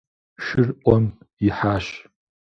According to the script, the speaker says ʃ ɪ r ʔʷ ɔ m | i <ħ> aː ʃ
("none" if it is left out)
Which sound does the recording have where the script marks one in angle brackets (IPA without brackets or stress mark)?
ħ